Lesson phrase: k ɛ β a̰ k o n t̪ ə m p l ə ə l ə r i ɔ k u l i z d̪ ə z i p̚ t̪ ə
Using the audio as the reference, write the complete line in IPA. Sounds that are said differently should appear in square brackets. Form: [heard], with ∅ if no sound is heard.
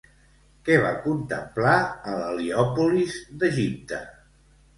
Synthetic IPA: k ɛ β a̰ k [u] n t̪ ə m p l [a] ə l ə [l] i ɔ [p] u l i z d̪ ə [ʒ] i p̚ t̪ ə